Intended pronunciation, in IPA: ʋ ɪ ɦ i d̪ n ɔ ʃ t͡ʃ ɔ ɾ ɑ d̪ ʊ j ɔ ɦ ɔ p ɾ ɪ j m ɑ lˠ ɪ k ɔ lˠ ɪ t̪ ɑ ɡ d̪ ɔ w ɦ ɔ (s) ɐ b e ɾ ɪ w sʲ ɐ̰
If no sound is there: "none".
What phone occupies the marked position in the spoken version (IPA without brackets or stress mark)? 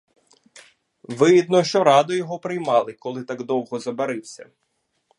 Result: z